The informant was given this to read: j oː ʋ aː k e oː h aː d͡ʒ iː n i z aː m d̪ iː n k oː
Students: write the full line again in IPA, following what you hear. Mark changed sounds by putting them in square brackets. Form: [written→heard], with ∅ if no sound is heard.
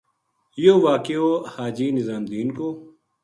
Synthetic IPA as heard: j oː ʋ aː k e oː h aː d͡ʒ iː n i z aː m d̪ iː n k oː